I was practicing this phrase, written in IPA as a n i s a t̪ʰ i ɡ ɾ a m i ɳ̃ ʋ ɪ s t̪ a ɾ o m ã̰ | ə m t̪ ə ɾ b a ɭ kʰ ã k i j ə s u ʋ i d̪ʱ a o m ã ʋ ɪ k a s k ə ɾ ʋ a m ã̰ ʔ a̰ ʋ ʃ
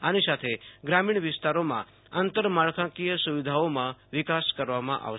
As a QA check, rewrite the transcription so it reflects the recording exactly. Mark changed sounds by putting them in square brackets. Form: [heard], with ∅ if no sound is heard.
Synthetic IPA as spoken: a n i s a t̪ʰ [e] ɡ ɾ a m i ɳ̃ ʋ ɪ s t̪ a ɾ o m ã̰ | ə [n] t̪ ə ɾ [m] a ɭ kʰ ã k i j ə s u ʋ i d̪ʱ a o m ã ʋ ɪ k a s k ə ɾ ʋ a m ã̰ ʔ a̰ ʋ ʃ